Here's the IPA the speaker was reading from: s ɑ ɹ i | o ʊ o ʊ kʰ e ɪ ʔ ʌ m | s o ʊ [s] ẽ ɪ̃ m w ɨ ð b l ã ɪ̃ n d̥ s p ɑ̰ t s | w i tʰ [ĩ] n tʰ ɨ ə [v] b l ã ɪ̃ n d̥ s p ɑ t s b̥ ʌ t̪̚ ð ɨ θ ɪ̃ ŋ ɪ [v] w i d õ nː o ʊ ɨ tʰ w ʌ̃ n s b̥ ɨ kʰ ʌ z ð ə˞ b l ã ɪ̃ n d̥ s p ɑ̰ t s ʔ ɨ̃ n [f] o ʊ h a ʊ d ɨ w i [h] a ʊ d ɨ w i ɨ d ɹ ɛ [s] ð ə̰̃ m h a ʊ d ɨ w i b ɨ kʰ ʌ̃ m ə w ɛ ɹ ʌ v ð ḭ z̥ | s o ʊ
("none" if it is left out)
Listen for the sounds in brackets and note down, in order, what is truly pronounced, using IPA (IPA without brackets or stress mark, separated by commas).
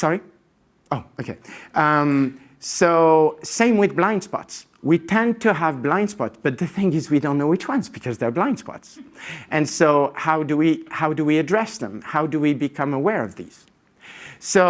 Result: s, ɛ̃, v, z, s, h, s